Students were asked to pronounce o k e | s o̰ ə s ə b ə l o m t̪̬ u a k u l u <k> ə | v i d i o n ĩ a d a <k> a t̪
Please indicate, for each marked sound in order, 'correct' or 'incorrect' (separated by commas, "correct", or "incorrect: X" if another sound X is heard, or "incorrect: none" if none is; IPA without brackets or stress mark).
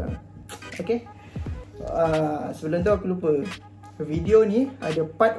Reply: incorrect: p, incorrect: p